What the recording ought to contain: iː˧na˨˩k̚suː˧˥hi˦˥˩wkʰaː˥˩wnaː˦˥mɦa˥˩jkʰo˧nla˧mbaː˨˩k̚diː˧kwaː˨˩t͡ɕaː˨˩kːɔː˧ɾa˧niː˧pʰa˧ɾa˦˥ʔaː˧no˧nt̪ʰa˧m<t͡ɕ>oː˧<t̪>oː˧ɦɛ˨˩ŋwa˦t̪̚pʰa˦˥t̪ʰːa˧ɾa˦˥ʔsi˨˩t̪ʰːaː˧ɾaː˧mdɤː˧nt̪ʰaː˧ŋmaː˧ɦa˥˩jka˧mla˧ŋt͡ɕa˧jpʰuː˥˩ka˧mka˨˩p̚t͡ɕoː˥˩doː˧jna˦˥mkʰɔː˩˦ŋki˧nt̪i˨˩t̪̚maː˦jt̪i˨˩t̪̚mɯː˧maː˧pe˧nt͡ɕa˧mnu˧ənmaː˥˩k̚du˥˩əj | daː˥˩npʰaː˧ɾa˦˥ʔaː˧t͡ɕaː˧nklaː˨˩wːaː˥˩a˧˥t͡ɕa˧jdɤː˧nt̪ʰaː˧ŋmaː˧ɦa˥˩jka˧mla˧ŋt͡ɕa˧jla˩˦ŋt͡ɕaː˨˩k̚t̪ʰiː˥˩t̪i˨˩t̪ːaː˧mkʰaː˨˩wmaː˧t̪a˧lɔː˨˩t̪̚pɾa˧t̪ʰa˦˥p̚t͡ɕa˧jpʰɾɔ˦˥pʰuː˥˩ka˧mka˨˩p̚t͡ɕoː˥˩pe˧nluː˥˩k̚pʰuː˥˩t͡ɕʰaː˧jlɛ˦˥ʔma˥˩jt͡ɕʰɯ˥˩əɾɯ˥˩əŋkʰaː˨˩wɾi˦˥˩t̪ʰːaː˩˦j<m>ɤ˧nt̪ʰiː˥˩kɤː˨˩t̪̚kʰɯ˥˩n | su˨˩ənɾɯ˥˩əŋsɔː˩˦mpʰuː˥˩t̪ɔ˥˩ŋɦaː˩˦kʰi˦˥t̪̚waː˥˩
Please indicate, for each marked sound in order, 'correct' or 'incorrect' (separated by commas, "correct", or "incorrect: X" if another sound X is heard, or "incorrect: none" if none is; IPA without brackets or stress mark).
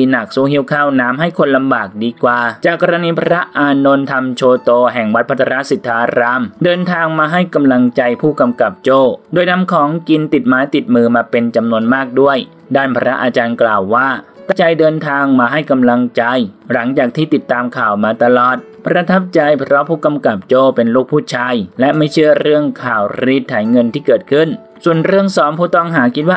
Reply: incorrect: t͡ɕʰ, correct, incorrect: ŋ